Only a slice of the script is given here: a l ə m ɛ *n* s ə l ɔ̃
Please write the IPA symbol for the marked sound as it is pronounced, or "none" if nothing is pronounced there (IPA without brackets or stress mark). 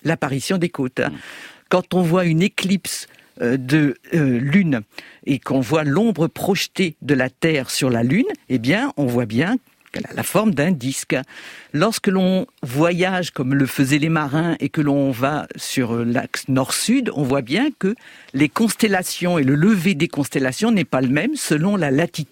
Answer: m